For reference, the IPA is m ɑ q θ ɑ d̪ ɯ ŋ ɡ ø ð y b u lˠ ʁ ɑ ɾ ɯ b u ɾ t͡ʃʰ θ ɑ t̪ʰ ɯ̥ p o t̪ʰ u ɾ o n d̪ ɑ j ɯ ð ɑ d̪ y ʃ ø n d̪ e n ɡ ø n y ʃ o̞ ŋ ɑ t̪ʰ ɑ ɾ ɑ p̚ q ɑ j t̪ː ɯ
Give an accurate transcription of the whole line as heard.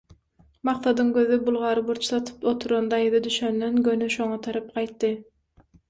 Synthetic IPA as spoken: m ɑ q θ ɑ d̪ ɯ ŋ ɡ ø ð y b u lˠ ʁ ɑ ɾ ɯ b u ɾ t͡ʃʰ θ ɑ t̪ʰ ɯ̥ p o t̪ʰ u ɾ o n d̪ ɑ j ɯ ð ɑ d̪ y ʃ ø n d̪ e n ɡ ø n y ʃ o̞ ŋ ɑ t̪ʰ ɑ ɾ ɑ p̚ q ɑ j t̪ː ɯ